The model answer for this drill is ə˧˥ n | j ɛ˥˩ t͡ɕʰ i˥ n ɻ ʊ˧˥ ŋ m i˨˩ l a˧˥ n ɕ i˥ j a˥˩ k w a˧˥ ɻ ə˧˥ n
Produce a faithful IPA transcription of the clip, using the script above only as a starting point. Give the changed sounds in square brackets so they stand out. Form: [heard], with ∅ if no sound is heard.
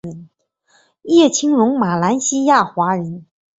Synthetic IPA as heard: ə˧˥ n | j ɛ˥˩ t͡ɕʰ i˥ [ŋ] ɻ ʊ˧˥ ŋ m [a˨˩] l a˧˥ n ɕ i˥ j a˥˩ [x] w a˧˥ ɻ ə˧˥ n

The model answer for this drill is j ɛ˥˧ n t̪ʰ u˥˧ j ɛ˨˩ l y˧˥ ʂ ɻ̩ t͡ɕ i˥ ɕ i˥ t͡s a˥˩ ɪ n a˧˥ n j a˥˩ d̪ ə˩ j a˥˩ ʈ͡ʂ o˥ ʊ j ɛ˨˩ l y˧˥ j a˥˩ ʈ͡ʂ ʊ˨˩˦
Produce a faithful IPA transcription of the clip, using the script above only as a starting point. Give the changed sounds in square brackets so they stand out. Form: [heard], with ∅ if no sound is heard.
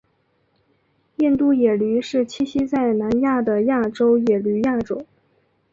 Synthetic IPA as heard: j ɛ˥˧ n [t̪] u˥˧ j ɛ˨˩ l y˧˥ ʂ ɻ̩ [t͡ɕʰ] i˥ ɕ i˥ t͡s a˥˩ ɪ n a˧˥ n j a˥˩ d̪ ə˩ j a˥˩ ʈ͡ʂ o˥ ʊ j ɛ˨˩ l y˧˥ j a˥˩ ʈ͡ʂ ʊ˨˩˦

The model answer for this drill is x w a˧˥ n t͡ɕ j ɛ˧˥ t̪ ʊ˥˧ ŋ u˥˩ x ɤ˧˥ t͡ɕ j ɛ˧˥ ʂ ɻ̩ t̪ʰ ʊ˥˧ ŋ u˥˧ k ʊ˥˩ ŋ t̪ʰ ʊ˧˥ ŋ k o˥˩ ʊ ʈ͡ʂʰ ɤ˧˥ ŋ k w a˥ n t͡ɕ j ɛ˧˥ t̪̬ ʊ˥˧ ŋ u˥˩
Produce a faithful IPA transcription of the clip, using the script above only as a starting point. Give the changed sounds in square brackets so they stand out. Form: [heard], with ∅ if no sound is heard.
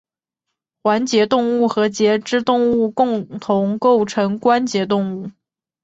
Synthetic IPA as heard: x w a˧˥ n t͡ɕ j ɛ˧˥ t̪ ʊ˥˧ ŋ u˥˩ x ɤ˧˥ t͡ɕ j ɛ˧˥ [ʈ͡ʂ] ɻ̩ [t̪] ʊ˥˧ ŋ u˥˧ k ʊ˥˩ ŋ t̪ʰ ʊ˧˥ ŋ k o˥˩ ʊ ʈ͡ʂʰ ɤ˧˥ ŋ k w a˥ n t͡ɕ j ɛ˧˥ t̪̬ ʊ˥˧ ŋ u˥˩

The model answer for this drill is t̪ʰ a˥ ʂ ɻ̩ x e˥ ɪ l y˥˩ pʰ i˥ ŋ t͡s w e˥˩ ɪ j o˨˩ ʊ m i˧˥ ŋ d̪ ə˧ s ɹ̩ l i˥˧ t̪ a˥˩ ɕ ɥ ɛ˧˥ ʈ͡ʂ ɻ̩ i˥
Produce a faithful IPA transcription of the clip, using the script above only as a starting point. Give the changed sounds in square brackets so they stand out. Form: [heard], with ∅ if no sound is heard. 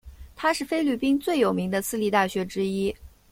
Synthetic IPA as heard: t̪ʰ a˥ ʂ ɻ̩ [f] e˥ ɪ l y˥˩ [p] i˥ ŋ t͡s w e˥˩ ɪ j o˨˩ ʊ m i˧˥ ŋ d̪ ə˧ s ɹ̩ l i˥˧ t̪ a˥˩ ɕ ɥ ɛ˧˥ ʈ͡ʂ ɻ̩ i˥

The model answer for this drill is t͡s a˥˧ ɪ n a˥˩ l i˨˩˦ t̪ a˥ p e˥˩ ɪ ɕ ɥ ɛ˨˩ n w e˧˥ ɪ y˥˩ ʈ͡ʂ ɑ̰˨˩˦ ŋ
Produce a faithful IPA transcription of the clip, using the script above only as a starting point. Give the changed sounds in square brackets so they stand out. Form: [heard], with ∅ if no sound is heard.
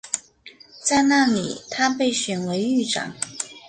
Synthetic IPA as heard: t͡s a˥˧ ɪ n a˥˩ l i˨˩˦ [t̪ʰ] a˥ p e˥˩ ɪ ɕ ɥ ɛ˨˩ n w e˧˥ ɪ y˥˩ ʈ͡ʂ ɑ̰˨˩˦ ŋ

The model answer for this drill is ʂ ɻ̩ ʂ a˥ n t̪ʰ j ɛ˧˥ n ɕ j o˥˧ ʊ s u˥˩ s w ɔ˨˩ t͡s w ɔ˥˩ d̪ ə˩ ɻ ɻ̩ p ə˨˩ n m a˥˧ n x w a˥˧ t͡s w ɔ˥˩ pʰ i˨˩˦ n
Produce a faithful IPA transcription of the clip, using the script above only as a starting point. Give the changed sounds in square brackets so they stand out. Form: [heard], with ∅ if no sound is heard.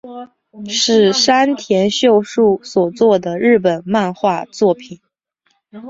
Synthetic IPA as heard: ʂ ɻ̩ ʂ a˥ n t̪ʰ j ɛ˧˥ n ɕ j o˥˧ ʊ [ʂ] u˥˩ s w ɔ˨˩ t͡s w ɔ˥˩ d̪ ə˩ ɻ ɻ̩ p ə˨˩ n m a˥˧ n x w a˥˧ t͡s w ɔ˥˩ pʰ i˨˩˦ n

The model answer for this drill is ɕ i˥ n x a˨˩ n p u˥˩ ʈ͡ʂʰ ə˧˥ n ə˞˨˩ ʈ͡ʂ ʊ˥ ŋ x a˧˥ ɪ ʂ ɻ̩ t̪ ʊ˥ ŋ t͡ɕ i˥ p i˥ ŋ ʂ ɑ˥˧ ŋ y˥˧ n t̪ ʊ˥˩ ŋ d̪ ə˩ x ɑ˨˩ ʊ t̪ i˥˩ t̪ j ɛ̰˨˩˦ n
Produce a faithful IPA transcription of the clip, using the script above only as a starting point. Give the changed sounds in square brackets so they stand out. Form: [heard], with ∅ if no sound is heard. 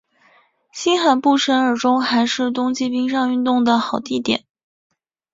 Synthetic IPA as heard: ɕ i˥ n x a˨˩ n p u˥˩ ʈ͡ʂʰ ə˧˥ n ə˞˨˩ ʈ͡ʂ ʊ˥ ŋ x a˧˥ ɪ ʂ ɻ̩ t̪ ʊ˥ ŋ t͡ɕ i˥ p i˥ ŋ ʂ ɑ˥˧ ŋ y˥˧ n t̪ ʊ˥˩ ŋ d̪ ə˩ x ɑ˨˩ ʊ t̪ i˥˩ t̪ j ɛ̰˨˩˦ n

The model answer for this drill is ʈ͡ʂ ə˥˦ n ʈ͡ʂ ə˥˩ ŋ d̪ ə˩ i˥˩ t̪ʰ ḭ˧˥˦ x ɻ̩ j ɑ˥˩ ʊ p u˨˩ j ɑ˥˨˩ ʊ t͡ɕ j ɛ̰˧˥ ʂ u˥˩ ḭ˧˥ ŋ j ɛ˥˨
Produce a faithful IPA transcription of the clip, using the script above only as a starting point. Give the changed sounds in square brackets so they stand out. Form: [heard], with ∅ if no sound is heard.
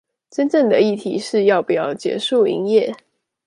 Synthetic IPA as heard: ʈ͡ʂ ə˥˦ n ʈ͡ʂ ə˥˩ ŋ d̪ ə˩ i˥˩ t̪ʰ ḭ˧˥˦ [ʂ] ɻ̩ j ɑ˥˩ ʊ p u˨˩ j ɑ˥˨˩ ʊ t͡ɕ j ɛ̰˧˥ ʂ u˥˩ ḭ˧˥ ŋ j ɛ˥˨

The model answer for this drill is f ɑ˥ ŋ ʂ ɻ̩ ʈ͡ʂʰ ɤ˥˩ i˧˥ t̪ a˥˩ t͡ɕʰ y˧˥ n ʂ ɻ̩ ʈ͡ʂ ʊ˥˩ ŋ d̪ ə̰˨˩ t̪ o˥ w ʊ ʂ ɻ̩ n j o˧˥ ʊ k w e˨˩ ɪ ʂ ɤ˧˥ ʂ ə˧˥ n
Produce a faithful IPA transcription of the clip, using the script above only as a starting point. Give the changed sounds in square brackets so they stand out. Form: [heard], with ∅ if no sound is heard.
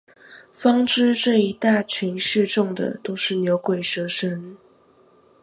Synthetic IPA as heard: f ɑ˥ ŋ [ʈ͡ʂ] ɻ̩ [ʈ͡ʂ] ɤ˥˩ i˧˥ t̪ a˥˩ t͡ɕʰ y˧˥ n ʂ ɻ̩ ʈ͡ʂ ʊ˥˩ ŋ d̪ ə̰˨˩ t̪ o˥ [∅] ʊ ʂ ɻ̩ n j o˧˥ ʊ k w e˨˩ ɪ ʂ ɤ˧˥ ʂ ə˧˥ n

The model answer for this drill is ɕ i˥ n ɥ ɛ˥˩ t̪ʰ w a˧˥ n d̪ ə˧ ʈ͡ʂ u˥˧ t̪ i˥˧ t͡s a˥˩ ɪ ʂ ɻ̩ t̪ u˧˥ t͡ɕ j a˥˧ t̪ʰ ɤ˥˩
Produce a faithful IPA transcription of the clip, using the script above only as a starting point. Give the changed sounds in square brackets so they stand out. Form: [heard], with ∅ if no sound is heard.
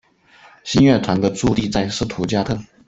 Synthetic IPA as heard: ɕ i˥ n ɥ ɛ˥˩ t̪ʰ w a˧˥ n d̪ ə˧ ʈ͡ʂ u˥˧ t̪ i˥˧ t͡s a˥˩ ɪ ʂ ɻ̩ [t̪ʰ] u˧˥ t͡ɕ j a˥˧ t̪ʰ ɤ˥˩

